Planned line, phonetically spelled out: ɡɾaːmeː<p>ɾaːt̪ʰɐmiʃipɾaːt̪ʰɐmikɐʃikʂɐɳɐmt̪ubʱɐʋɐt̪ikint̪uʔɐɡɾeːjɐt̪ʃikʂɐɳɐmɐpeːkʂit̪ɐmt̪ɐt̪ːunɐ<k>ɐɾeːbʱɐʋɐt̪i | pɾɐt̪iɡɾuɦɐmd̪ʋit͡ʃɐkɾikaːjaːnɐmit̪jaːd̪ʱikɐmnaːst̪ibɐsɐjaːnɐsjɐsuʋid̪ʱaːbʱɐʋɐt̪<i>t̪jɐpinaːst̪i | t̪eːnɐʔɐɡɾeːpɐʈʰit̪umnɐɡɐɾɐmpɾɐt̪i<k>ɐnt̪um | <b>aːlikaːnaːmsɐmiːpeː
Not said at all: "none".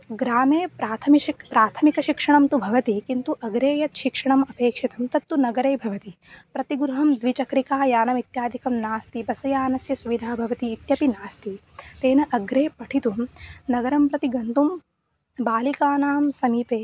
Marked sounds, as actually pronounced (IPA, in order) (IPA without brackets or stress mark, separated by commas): p, ɡ, iː, ɡ, b